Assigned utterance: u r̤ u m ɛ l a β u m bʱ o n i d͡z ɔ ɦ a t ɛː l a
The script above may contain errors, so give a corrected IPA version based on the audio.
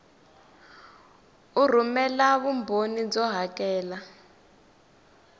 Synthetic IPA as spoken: u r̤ u m ɛ l a β u m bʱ o n i d͡z ɔ ɦ a k ɛː l a

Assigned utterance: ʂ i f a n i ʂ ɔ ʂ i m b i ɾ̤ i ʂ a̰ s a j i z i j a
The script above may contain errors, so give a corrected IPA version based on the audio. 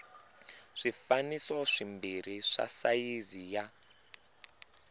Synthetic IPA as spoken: ʂ i f a n i s ɔ ʂ i m b i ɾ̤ i ʂ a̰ s a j i z i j a

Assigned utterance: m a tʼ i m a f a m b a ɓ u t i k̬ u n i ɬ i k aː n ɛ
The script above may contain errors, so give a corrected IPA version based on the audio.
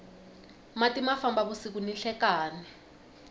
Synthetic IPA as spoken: m a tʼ i m a f a m b a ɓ u s i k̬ u n i ɬ ɛ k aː n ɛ

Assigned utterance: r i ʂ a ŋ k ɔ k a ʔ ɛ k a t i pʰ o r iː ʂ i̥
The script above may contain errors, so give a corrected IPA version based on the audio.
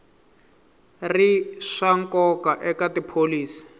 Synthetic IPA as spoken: r i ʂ a ŋ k ɔ k a ʔ ɛ k a t i pʰ o l iː s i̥

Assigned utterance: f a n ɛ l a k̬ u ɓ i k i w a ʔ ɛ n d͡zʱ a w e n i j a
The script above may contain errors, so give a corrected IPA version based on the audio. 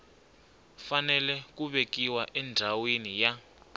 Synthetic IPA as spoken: f a n ɛ l ɛ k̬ u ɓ e k i w a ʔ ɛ n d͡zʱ a w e n i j a

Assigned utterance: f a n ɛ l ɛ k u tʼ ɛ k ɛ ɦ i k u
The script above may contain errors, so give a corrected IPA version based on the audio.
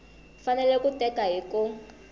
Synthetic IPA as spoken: f a n ɛ l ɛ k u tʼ ɛ k a ɦ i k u

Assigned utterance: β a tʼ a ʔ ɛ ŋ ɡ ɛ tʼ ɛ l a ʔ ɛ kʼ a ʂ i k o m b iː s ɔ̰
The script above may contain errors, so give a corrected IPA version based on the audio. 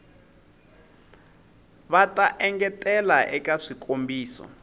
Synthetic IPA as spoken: β a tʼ a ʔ ɛ ŋ ɡ ɛ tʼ ɛ l a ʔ ɛ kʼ a ʂ i k o m b iː s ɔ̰

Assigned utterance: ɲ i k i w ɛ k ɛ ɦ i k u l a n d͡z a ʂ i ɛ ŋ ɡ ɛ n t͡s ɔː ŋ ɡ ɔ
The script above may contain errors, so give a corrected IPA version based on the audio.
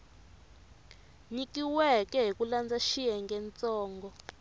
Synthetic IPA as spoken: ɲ i k i w ɛ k ɛ ɦ i k u l a n d͡z a ʃ i ɛ ŋ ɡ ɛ n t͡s ɔː ŋ ɡ ɔ

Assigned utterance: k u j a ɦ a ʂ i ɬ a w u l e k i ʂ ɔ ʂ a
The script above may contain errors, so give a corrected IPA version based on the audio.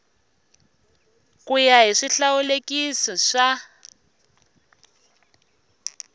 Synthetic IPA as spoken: k u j a ɦ i ʂ i ɬ a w u l e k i s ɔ ʂ a

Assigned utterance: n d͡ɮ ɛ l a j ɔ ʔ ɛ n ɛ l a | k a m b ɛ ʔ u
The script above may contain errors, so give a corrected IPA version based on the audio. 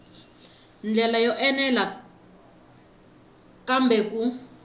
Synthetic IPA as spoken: n d͡ɮ ɛ l a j ɔ ʔ ɛ n ɛ l a | k a m b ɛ k u

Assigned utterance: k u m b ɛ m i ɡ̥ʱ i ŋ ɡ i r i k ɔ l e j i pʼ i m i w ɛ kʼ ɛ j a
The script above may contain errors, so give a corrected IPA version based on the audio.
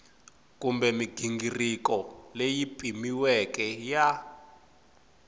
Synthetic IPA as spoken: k u m b ɛ m i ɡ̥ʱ i ŋ ɡ i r i k ɔ l e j i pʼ i m i w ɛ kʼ ɛ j a

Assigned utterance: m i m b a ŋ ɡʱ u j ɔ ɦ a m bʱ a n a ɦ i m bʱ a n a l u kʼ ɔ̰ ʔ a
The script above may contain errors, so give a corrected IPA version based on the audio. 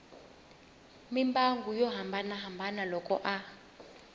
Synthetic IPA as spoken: m i m b a ŋ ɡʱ u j ɔ ɦ a m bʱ a n a ɦ a m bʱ a n a l ɔ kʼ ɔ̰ ʔ a

